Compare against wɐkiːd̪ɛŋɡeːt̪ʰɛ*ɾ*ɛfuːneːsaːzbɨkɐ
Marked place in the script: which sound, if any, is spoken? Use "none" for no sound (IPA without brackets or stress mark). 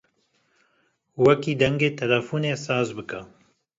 l